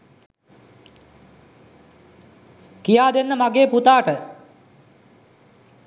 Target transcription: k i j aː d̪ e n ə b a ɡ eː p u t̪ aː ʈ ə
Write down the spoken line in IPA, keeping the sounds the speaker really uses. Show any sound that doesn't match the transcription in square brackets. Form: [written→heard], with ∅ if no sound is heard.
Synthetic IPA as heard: k i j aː d̪ e [n→nː] ə [b→m] a ɡ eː p u t̪ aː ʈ ə